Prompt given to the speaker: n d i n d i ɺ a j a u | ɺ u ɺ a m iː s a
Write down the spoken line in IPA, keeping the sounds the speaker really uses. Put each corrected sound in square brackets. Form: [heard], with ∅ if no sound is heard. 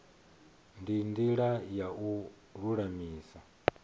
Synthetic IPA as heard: n d i n d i ɺ a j a u | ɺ u ɺ a m iː s a

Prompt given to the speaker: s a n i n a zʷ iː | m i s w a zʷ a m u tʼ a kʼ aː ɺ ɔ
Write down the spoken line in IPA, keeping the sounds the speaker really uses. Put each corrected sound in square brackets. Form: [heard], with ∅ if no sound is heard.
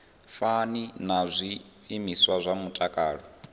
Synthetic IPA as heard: [f] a n i n a zʷ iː | m i s w a zʷ a m u tʼ a kʼ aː ɺ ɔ

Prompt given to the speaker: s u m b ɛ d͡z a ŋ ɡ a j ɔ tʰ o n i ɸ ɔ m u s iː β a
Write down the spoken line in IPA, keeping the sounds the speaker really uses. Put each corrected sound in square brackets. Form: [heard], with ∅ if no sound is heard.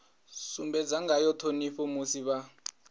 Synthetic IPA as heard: s u m b ɛ d͡z a ŋ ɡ a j ɔ tʰ o n i ɸ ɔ m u s [i] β a

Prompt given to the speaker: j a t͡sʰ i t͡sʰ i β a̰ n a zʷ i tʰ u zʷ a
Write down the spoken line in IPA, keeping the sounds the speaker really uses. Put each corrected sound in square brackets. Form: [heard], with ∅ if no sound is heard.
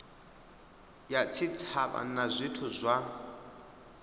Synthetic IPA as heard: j a t͡sʰ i t͡sʰ [a] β a̰ n a zʷ i tʰ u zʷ a

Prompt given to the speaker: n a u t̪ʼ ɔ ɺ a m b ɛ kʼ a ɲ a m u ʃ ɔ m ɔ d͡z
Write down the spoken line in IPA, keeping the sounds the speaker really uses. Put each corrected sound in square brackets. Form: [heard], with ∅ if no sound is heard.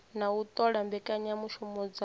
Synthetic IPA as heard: n a u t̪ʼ ɔ ɺ a m b ɛ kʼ a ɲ a m u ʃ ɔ m ɔ d͡z

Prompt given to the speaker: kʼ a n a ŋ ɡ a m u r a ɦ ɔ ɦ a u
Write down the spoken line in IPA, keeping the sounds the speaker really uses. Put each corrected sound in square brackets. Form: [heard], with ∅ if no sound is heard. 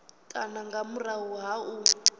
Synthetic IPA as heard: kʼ a n a ŋ ɡ a m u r a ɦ [u] ɦ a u

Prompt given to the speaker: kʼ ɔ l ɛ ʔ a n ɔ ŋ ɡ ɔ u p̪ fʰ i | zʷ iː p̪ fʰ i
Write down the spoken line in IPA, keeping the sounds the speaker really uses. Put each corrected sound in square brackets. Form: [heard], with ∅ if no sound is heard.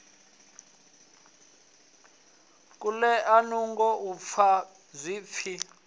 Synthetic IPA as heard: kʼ [u] l ɛ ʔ a n [u] ŋ ɡ ɔ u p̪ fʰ [a] | zʷ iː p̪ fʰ i

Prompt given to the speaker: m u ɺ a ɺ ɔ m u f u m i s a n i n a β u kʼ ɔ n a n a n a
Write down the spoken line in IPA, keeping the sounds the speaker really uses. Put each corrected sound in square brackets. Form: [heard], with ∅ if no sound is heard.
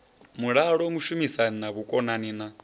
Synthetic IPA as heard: m u ɺ a ɺ ɔ m u [ʃ] u m i s a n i n a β u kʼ ɔ n a n [i] n a

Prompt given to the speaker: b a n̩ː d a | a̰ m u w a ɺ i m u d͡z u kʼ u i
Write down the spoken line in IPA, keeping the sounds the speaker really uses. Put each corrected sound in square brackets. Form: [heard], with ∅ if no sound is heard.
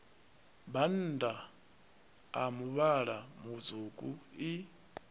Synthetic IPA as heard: b a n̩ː d a | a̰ m u [β] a ɺ [a] m u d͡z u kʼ u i

